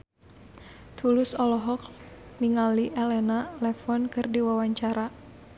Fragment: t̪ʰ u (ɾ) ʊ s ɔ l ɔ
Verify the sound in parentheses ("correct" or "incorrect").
incorrect